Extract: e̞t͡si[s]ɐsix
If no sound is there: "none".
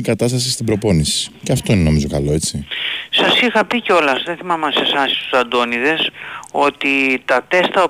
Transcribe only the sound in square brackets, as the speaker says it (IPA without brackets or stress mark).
s